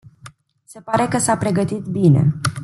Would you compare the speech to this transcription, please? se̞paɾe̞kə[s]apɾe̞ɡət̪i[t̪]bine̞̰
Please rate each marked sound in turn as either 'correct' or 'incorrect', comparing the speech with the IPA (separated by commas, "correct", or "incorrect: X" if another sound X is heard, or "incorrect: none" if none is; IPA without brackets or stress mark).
correct, correct